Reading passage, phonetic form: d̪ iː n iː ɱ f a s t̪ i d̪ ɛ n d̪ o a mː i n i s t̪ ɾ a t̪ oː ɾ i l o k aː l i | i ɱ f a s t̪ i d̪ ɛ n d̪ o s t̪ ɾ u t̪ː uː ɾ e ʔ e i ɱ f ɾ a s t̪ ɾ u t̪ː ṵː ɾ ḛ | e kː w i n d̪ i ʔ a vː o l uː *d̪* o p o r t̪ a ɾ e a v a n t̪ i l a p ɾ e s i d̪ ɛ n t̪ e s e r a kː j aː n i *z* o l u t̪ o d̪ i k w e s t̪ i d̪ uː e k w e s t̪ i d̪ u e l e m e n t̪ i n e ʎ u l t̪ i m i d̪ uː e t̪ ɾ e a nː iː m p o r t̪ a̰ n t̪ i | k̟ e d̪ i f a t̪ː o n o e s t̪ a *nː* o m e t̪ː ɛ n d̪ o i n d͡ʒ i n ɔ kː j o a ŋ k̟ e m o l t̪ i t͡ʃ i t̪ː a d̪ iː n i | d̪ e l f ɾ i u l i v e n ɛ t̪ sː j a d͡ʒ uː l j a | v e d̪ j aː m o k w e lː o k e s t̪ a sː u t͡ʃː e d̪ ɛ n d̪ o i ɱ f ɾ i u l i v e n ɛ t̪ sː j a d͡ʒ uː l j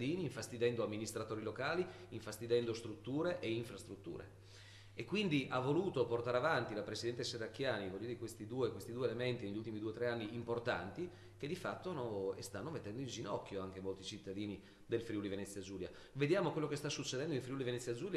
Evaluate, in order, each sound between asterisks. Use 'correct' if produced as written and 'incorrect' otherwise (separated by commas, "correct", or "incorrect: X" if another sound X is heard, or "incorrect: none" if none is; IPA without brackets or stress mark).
incorrect: t̪, incorrect: v, correct